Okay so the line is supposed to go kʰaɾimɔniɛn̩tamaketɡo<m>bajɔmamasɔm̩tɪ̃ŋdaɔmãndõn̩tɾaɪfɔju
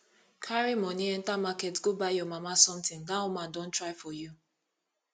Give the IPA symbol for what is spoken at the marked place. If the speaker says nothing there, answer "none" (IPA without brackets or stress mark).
none